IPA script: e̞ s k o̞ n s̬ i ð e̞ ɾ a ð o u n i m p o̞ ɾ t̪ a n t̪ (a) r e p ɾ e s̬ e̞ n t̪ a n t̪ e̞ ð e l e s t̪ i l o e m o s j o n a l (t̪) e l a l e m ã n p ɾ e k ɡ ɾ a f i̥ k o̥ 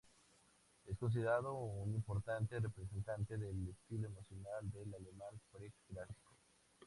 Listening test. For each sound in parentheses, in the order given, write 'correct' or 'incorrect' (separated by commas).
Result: incorrect, incorrect